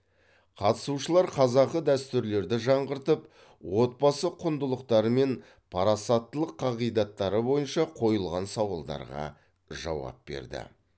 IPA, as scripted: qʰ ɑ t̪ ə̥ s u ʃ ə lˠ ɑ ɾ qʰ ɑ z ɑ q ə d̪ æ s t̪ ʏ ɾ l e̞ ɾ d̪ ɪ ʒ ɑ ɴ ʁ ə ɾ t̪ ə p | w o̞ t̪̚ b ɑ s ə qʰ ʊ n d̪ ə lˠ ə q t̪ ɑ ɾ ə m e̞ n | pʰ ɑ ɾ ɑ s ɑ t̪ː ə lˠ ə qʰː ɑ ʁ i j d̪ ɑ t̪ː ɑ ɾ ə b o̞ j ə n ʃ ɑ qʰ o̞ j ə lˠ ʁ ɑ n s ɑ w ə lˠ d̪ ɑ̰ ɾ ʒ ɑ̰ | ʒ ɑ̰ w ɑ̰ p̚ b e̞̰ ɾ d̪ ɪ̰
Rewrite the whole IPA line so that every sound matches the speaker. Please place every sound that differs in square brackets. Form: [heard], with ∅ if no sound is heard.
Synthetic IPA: qʰ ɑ t̪ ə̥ s u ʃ ə lˠ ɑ ɾ qʰ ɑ z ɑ q ə d̪ æ s t̪ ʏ ɾ l e̞ ɾ d̪ ɪ ʒ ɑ ɴ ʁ ə ɾ t̪ ə p | w o̞ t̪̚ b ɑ s ə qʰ ʊ n d̪ ə lˠ ə q t̪ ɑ ɾ ə m e̞ n | pʰ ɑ ɾ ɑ s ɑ t̪ː ə lˠ ə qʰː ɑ ʁ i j d̪ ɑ t̪ː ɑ ɾ ə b o̞ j ə n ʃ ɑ qʰ o̞ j ə lˠ ʁ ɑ n s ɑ w [ɑ] lˠ d̪ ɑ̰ ɾ [ʁ] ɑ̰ | ʒ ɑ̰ w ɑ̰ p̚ b e̞̰ ɾ d̪ ɪ̰